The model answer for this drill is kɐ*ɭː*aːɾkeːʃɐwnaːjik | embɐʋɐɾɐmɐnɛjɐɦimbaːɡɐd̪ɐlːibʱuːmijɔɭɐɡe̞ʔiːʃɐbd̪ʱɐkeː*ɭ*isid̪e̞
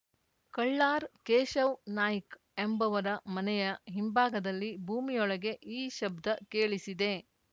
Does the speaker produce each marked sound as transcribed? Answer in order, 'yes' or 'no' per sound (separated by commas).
yes, yes